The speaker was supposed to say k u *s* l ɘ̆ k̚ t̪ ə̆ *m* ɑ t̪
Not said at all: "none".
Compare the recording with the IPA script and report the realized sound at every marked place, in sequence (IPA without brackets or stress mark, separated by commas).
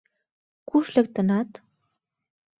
ʃ, n